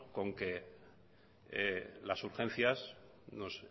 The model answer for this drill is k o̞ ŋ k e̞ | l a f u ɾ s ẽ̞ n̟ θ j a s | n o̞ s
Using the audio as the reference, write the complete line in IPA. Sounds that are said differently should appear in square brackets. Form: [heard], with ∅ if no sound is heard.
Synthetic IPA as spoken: k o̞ ŋ k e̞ | l a [s] u ɾ [x] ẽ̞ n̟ θ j a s | n o̞ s